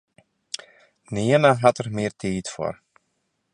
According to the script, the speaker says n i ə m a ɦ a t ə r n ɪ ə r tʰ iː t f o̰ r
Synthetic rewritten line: n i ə n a ɦ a t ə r m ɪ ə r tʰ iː t f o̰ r